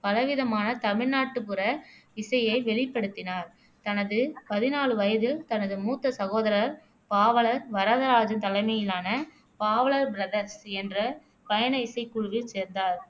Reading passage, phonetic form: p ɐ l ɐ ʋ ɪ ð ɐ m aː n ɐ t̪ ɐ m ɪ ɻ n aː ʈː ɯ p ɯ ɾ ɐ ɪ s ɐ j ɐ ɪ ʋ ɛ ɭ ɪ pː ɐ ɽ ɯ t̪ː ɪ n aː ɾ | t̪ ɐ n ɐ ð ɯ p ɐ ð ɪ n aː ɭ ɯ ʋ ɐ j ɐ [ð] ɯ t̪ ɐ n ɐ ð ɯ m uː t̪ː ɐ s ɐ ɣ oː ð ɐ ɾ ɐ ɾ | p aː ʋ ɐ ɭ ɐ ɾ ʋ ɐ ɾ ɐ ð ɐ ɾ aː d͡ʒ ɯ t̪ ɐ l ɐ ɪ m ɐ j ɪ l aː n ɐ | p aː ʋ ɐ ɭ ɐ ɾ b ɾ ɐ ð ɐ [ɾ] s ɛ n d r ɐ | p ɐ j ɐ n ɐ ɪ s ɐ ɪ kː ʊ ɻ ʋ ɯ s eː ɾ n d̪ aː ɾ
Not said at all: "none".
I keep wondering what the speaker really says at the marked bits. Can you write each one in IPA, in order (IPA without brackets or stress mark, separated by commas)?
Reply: ð, ɾ